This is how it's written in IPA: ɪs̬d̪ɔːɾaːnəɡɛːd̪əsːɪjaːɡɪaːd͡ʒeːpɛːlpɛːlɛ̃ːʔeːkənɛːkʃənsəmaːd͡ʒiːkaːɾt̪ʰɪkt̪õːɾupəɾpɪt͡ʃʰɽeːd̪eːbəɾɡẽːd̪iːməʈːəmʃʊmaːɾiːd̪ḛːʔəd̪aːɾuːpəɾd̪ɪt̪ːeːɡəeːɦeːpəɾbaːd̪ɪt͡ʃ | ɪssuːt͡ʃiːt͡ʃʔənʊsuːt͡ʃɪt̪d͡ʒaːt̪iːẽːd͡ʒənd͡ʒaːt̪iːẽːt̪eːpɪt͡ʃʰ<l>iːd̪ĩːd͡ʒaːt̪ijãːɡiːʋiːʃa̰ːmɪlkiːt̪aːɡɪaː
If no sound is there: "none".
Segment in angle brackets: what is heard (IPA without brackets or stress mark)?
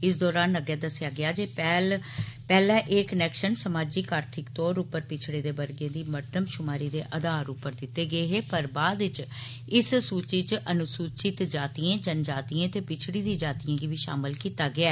ɽ